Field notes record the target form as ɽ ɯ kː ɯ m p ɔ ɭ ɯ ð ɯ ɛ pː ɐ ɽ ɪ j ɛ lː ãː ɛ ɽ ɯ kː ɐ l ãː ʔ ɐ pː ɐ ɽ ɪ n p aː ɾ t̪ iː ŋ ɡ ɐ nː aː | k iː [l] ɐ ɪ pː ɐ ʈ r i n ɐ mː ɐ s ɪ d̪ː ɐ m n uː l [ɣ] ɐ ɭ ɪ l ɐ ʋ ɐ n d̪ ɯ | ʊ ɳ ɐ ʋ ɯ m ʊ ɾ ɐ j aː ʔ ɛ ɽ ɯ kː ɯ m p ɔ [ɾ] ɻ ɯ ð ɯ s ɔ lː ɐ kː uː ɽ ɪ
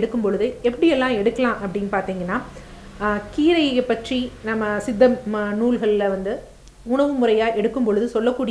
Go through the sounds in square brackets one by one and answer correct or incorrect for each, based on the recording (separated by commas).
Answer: incorrect, correct, incorrect